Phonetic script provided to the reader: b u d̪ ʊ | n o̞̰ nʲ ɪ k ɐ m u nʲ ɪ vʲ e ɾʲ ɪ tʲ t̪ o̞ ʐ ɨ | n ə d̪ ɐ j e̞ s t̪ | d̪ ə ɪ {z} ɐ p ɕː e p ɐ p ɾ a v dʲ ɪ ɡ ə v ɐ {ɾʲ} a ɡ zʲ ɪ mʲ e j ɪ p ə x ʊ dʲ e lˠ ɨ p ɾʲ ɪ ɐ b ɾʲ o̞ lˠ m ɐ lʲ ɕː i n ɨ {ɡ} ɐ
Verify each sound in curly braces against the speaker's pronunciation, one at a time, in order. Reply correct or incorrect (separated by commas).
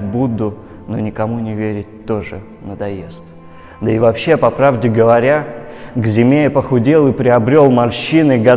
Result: incorrect, correct, correct